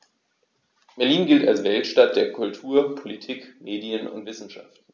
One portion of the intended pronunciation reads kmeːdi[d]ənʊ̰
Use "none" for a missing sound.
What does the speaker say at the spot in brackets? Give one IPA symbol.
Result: none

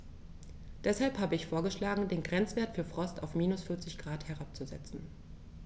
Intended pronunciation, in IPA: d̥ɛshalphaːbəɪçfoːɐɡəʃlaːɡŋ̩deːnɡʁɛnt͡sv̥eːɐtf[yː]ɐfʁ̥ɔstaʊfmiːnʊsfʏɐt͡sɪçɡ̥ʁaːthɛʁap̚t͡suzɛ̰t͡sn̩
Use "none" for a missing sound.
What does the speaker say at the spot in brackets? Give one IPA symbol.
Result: yː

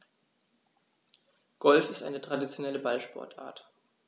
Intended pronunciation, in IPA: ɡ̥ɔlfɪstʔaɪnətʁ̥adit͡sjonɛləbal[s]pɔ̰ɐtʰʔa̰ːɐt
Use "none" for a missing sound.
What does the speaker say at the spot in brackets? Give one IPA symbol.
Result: ʃ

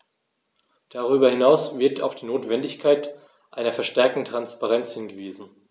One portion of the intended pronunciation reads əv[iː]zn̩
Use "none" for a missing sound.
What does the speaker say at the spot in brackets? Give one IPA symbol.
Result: iː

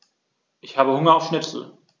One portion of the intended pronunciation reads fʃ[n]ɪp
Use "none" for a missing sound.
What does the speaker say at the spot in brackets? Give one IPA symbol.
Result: n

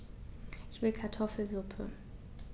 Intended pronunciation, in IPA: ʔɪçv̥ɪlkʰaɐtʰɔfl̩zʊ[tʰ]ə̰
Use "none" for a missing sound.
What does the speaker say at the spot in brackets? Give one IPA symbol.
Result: pʰ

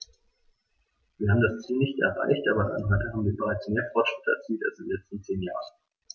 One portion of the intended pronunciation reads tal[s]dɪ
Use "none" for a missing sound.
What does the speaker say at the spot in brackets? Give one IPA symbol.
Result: s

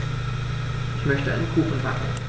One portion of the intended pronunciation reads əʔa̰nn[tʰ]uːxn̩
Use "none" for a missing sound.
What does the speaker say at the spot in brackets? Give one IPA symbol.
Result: kʰ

